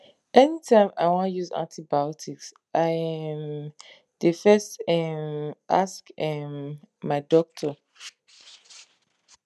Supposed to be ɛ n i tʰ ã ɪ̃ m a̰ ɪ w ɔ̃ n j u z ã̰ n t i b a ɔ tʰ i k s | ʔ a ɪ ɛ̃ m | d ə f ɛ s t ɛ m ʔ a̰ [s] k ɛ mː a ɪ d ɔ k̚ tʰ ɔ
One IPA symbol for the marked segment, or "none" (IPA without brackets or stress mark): s